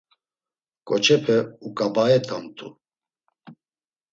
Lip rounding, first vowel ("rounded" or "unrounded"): rounded